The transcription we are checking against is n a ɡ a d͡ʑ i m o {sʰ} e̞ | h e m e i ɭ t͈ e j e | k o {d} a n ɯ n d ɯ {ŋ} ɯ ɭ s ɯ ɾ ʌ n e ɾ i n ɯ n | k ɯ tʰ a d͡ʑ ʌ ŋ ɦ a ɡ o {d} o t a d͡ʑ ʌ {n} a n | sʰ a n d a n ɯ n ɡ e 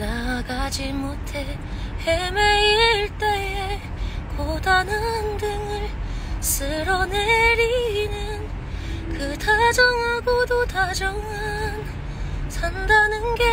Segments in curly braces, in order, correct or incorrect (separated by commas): incorrect, correct, correct, correct, incorrect